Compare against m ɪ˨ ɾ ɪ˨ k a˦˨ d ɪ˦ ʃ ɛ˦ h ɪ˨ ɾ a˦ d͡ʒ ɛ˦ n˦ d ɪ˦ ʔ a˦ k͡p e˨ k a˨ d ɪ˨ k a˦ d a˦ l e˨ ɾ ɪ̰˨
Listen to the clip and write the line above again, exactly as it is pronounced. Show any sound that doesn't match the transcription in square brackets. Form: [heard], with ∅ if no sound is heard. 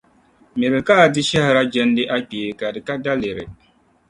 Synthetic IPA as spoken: m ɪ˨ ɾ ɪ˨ k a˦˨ d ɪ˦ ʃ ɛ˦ h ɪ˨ ɾ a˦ d͡ʒ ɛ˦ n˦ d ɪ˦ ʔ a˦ k͡p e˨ k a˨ d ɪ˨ k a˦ d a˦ l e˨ ɾ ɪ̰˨